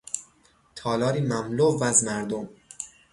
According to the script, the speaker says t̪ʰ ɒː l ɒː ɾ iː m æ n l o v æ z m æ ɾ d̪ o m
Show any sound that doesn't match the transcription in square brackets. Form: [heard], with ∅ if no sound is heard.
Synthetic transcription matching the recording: t̪ʰ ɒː l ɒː ɾ iː m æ [m] l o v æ z m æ ɾ d̪ o m